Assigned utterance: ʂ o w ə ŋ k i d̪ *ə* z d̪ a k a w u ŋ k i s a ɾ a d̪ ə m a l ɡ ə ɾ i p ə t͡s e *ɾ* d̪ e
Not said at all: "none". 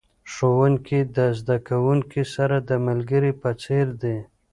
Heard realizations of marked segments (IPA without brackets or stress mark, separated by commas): ə, ɾ